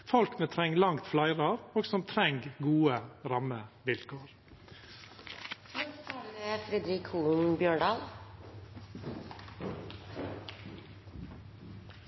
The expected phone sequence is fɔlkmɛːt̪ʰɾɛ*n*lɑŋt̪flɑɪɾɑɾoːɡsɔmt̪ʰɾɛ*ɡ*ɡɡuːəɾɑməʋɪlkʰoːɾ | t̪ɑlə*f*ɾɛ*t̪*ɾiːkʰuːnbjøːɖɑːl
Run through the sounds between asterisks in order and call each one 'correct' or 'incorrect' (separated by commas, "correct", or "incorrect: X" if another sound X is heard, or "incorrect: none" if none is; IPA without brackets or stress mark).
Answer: incorrect: ŋ, incorrect: ŋ, correct, incorrect: d̪